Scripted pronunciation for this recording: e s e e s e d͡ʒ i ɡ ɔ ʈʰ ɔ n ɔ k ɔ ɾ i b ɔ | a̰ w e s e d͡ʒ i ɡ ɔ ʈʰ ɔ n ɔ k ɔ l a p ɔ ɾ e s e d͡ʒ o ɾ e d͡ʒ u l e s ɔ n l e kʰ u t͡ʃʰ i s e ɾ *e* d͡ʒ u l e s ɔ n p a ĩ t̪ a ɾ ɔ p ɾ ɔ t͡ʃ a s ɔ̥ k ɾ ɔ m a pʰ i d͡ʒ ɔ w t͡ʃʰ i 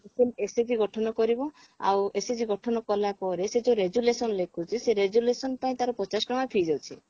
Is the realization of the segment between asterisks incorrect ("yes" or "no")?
no